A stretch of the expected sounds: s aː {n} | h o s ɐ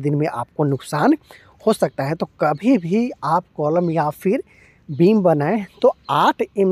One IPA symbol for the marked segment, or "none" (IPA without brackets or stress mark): n